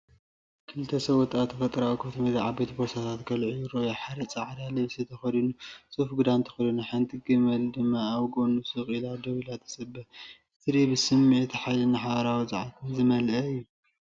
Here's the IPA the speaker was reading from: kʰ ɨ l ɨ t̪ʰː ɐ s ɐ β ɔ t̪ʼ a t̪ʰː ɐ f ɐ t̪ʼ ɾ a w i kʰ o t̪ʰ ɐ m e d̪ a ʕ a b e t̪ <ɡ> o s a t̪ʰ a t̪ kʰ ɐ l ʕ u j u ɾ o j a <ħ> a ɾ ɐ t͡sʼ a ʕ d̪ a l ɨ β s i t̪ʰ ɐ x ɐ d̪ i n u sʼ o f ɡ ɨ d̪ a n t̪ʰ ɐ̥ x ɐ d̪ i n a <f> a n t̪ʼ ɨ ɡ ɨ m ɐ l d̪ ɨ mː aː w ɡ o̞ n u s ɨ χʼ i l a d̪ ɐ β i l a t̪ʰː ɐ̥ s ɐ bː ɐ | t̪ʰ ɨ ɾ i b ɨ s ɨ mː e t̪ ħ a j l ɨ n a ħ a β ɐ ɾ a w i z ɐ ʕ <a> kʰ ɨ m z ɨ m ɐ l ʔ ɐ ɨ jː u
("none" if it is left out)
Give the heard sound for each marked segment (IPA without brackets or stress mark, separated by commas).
b, ħ, ħ, a